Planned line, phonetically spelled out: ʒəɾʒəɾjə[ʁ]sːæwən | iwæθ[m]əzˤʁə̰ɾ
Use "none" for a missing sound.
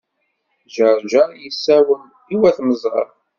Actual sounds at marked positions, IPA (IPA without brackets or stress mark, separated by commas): none, m